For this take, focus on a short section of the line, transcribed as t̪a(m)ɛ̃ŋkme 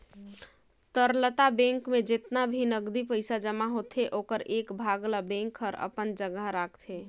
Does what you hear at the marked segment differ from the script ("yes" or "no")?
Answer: yes